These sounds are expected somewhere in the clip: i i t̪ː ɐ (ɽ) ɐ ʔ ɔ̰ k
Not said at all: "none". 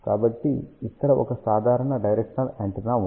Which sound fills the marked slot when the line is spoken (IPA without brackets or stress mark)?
ɾ